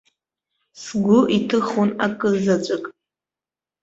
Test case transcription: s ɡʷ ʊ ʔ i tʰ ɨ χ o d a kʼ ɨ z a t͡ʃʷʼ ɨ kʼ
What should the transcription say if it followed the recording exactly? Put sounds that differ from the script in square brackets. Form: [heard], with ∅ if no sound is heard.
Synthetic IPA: s ɡʷ ʊ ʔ i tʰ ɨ χ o [n] a kʼ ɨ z a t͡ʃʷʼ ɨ kʼ